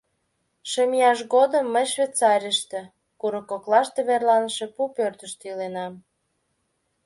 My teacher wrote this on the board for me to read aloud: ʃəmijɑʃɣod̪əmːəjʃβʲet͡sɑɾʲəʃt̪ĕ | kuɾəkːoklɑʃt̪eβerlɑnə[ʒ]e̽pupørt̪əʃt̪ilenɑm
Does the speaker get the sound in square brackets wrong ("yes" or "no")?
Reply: yes